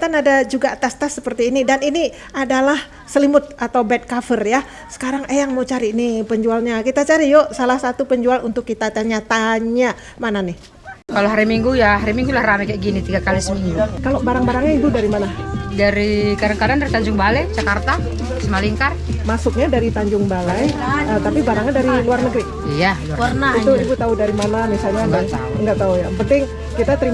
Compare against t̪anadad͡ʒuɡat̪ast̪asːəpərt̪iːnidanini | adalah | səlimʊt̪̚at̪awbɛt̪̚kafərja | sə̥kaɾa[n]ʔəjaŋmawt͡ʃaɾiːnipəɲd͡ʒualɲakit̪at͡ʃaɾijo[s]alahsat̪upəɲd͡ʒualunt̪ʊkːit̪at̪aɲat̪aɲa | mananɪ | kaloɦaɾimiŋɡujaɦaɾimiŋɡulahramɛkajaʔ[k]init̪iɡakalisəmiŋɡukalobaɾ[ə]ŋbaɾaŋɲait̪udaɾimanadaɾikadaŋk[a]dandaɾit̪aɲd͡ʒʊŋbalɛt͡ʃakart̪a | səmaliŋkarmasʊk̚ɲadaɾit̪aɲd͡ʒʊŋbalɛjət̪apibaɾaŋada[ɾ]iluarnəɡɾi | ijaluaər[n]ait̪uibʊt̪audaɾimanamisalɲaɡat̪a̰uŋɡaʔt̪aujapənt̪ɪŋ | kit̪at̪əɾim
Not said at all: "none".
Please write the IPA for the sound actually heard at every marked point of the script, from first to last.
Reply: ŋ, s, ɡ, a, a, ɾ, n

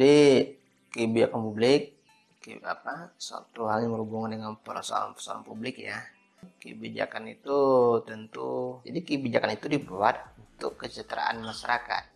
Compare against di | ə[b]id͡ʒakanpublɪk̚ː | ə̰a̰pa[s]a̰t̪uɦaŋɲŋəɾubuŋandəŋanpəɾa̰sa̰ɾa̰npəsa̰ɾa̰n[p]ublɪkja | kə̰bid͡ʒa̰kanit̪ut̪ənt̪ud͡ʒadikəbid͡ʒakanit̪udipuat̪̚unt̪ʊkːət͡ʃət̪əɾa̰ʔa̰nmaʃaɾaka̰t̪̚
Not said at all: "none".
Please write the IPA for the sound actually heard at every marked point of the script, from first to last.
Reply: b, s, p

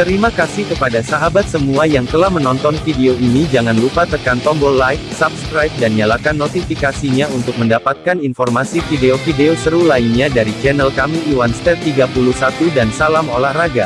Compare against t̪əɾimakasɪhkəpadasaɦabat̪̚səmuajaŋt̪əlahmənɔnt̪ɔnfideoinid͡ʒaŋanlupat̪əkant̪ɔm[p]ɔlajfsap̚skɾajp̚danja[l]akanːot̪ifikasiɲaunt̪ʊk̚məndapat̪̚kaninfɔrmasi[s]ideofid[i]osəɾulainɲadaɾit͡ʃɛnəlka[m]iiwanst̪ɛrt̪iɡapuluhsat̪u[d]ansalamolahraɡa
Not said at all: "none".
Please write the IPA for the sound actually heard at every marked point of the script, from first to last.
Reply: b, l, f, e, m, d

